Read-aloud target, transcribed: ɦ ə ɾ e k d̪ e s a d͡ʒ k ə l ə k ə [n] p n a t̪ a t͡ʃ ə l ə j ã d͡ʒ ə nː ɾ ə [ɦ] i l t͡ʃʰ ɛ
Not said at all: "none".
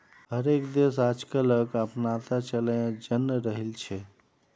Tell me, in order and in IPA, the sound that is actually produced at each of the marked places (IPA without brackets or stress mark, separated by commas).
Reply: none, ɦ